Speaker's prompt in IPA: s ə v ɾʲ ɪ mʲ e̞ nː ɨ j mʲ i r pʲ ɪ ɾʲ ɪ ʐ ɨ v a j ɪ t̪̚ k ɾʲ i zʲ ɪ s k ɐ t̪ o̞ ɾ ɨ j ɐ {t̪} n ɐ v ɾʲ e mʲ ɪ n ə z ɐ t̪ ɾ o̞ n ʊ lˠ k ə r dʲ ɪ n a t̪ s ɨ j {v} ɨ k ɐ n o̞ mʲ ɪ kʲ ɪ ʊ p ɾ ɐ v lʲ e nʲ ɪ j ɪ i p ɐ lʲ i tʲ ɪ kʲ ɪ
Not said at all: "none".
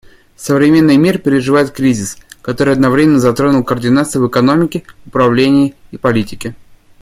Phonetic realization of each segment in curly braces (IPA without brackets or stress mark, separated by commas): d̪, v